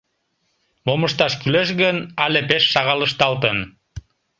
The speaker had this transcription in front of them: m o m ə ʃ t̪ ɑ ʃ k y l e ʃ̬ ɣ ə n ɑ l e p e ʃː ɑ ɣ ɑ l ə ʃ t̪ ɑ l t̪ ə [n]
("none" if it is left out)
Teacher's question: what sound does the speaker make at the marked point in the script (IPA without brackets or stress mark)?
n